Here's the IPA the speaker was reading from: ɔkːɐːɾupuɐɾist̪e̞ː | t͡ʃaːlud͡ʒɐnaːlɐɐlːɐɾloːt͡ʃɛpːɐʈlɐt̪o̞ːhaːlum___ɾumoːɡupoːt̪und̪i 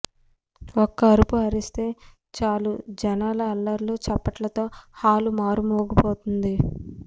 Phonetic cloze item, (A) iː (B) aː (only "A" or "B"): B